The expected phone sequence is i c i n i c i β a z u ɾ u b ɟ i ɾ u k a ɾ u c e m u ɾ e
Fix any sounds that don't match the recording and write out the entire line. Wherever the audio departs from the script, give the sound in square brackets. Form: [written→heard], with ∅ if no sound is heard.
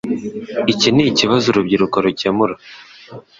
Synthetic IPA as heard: i c i n i c i β a z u ɾ u b ɟ i ɾ u k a ɾ u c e m u ɾ [e→a]